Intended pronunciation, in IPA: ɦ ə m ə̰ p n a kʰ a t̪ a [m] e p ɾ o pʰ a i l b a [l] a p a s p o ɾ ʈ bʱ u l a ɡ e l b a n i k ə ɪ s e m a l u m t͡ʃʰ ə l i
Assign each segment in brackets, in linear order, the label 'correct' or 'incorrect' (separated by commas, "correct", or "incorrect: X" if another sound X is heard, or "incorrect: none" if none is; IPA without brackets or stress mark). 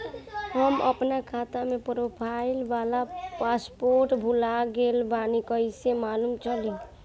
correct, correct